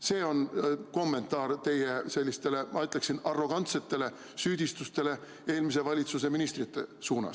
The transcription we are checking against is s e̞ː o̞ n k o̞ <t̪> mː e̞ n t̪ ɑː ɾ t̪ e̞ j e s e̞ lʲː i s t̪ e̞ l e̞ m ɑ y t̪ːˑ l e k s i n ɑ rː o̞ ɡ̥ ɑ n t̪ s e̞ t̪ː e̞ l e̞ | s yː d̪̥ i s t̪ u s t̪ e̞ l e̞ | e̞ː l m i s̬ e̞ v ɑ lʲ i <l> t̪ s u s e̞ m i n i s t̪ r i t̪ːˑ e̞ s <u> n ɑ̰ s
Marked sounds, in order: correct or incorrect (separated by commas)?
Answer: incorrect, incorrect, incorrect